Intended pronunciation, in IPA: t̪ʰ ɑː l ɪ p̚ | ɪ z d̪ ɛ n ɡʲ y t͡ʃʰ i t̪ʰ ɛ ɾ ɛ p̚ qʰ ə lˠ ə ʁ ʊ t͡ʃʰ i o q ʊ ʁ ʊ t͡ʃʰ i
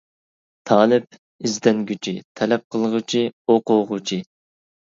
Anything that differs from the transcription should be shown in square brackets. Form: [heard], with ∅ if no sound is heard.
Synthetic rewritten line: t̪ʰ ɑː l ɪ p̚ | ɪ z d̪ ɛ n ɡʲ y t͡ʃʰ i t̪ʰ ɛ [l] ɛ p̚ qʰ ə lˠ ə ʁ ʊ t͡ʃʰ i o q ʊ ʁ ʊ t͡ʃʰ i